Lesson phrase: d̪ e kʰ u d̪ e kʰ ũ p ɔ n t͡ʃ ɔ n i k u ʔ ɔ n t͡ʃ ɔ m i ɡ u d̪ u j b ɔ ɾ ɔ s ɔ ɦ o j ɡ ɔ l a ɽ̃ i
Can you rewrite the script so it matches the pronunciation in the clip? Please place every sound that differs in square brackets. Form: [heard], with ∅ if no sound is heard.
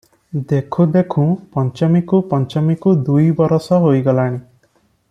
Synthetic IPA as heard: d̪ e kʰ u d̪ e kʰ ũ p ɔ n t͡ʃ ɔ [m] i k u [p] ɔ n t͡ʃ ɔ m i [k] u d̪ u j b ɔ ɾ ɔ s ɔ ɦ o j ɡ ɔ l a ɽ̃ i